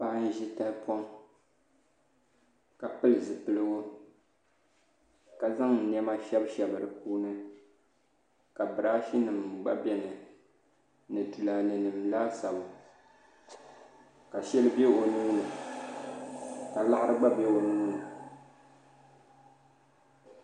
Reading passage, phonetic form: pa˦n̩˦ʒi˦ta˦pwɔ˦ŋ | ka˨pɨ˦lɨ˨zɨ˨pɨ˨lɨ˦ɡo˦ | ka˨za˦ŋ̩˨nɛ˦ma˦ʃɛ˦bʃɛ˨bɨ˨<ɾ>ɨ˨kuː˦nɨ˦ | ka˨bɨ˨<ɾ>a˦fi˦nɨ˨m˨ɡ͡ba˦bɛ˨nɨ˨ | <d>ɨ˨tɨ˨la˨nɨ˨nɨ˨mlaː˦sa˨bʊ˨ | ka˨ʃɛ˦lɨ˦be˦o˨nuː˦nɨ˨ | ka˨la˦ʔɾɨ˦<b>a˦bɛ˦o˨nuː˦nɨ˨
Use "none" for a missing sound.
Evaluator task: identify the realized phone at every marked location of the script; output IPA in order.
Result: ɾ, ɾ, n, ɡ͡b

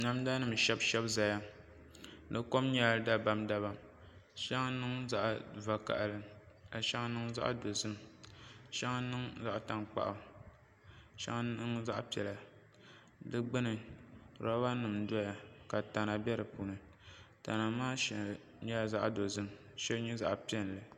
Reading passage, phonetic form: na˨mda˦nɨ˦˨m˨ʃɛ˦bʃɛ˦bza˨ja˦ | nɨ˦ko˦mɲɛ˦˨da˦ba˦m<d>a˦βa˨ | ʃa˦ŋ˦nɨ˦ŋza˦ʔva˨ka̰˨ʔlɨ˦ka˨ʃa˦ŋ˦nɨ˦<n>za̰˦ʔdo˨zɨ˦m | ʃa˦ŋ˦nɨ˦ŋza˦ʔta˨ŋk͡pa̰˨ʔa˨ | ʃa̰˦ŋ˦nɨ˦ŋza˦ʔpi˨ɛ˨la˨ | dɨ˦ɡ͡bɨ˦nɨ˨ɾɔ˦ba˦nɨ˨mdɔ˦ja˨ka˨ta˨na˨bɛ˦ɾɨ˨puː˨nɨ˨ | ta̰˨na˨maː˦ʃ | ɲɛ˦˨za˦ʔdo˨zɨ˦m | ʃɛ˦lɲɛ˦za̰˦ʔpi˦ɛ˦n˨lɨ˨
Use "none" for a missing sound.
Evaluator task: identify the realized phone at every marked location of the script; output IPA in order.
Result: d, ŋ

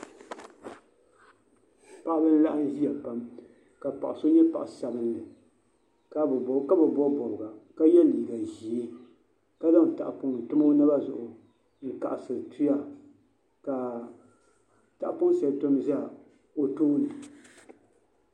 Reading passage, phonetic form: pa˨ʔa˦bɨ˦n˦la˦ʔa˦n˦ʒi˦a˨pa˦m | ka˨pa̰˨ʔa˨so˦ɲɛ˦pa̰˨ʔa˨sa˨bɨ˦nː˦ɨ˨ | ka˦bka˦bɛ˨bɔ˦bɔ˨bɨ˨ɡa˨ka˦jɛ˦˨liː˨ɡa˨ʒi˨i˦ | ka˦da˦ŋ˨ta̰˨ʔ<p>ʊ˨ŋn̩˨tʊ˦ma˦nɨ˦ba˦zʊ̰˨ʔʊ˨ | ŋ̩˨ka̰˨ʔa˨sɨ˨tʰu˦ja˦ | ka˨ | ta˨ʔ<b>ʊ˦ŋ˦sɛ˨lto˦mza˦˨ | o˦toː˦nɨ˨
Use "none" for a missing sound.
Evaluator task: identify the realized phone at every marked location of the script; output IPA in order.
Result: p, p

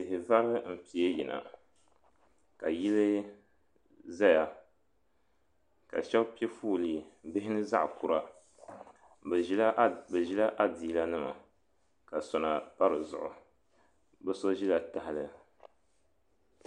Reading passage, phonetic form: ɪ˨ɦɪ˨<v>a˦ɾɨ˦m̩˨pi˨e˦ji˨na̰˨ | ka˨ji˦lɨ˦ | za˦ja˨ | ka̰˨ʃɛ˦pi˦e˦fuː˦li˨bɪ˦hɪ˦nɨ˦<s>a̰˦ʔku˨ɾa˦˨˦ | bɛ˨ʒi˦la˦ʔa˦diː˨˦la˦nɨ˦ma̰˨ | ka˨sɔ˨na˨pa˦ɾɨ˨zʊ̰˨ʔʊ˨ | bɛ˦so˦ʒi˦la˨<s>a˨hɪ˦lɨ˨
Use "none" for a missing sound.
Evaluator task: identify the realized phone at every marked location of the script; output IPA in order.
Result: v, z, t

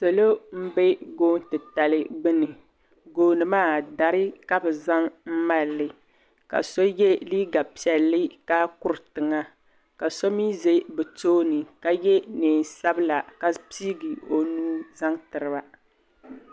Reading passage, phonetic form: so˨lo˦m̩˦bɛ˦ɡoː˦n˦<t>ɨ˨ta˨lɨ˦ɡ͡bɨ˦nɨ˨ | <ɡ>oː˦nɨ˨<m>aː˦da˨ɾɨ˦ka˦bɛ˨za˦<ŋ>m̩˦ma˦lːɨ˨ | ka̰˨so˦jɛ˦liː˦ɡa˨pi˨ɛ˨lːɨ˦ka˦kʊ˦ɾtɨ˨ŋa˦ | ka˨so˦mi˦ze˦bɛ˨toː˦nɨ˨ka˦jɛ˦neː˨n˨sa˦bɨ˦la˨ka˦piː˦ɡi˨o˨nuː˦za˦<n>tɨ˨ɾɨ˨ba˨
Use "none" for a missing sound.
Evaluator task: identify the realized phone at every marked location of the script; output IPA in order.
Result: t, ɡ, m, ŋ, ŋ

